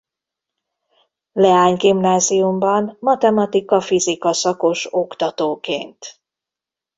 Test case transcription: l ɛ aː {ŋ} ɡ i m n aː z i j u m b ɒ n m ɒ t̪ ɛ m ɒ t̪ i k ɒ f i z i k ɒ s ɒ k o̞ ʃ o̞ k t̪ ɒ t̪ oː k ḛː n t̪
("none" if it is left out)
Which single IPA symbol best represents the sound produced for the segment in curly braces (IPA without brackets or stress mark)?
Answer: ɲ